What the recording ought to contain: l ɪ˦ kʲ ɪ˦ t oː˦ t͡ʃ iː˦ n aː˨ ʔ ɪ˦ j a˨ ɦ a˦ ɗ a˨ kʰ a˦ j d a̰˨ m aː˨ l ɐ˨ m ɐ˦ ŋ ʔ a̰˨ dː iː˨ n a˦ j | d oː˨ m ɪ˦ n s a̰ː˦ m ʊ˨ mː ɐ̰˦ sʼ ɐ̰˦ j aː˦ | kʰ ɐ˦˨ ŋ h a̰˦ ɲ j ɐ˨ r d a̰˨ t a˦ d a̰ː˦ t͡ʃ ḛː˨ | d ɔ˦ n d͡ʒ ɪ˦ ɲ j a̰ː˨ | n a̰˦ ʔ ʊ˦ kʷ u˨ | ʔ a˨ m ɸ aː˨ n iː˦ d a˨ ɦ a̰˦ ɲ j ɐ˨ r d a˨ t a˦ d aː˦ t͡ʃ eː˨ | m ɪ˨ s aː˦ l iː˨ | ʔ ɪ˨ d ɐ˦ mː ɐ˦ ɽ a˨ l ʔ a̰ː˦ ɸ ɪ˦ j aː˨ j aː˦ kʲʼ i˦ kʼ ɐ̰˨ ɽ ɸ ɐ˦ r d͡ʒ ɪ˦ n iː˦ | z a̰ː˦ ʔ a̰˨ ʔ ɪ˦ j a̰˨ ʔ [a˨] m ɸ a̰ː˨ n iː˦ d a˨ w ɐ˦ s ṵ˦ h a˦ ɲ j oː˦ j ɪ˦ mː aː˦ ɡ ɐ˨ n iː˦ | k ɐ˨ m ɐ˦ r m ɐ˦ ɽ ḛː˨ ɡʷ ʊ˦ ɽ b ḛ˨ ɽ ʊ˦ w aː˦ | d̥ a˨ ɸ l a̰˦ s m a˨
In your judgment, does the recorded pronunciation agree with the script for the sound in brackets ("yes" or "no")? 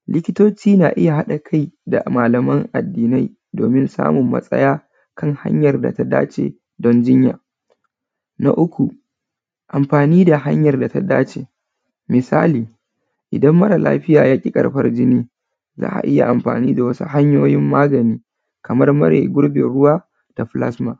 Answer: yes